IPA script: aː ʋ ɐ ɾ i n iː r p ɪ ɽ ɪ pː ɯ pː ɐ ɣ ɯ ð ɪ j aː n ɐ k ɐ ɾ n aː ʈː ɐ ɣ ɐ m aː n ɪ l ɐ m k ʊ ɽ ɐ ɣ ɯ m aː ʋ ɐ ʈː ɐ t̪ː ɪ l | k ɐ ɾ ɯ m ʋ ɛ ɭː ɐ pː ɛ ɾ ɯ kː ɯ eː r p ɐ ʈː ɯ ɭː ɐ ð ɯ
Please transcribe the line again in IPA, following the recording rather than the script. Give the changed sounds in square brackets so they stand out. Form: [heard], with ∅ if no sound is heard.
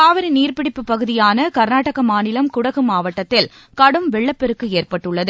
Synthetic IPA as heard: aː ʋ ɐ ɾ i n iː r p ɪ ɽ ɪ pː ɯ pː ɐ ɣ ɯ ð ɪ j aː n ɐ k ɐ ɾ n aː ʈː ɐ ɣ ɐ m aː n ɪ l ɐ m k ʊ ɽ ɐ ɣ ɯ m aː ʋ ɐ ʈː ɐ t̪ː ɪ l | k ɐ [ɽ] ɯ m ʋ ɛ ɭː ɐ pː ɛ ɾ ɯ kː ɯ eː r p ɐ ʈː ɯ ɭː ɐ ð ɯ